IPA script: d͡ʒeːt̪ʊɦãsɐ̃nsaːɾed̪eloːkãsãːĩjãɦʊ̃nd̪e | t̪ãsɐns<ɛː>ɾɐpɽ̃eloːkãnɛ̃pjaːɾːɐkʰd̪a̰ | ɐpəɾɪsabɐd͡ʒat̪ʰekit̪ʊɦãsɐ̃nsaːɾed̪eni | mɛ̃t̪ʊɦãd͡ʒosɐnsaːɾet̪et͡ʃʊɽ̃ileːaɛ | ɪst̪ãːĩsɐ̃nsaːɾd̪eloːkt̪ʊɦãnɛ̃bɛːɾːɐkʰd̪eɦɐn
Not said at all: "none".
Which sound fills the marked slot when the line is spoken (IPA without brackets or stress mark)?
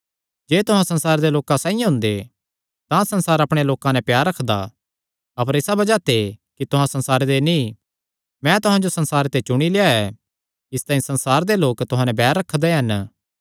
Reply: aː